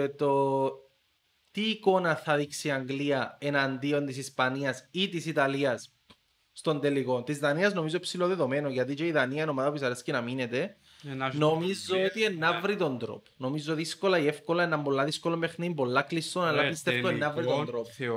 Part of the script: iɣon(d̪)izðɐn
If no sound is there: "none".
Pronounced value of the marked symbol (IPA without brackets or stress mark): t̪